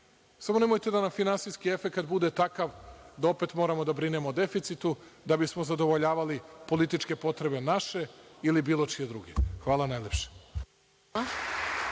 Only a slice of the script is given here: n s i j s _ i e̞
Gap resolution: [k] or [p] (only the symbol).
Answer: k